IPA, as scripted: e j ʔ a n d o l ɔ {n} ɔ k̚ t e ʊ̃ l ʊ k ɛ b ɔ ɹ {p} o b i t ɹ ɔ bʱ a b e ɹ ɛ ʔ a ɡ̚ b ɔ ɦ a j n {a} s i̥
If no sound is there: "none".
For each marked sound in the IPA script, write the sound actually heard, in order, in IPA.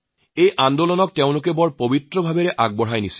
n, p, i

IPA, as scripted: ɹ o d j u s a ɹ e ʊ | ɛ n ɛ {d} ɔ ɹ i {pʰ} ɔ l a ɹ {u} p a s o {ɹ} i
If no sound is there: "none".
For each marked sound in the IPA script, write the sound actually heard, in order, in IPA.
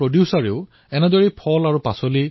d, pʰ, u, l

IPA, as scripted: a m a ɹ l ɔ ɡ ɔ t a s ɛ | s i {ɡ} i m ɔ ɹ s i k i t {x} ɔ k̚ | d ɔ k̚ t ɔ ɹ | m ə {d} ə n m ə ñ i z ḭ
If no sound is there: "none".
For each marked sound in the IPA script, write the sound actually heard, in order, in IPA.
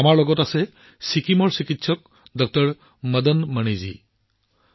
k, s, d

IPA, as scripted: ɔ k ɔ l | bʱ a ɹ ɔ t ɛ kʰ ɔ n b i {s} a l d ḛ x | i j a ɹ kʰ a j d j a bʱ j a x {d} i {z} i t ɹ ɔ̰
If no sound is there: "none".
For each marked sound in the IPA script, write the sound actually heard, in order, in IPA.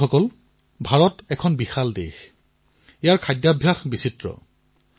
x, b, s

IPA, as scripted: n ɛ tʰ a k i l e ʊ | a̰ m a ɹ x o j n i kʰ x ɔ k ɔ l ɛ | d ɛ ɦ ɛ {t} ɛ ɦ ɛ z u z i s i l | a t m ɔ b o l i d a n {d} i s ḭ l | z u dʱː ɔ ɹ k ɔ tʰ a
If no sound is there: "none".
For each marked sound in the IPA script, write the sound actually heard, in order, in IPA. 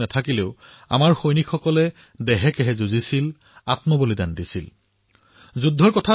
k, d

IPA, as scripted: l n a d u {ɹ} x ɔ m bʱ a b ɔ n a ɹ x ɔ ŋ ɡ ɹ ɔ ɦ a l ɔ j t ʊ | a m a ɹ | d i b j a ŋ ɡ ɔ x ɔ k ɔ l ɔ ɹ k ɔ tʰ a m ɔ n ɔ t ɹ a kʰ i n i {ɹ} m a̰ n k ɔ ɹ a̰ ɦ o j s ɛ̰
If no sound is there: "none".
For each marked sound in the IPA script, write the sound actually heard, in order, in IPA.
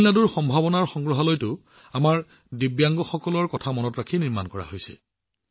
ɹ, ɹ

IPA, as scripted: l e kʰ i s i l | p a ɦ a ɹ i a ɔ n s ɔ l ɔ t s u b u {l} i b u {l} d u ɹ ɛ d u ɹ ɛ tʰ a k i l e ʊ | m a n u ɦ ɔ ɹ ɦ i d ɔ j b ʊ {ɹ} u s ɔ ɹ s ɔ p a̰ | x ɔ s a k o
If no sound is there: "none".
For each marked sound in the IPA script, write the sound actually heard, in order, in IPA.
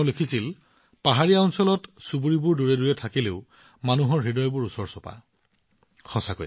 ɹ, ɹ, ɹ

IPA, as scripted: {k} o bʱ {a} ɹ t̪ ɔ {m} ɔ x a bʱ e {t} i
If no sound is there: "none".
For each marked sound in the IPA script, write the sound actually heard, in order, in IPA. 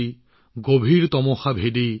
ɡ, i, m, d

